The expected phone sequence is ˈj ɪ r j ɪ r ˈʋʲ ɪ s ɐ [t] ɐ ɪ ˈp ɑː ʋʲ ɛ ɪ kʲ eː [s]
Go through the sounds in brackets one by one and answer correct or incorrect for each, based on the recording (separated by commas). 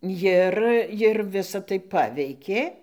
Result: correct, incorrect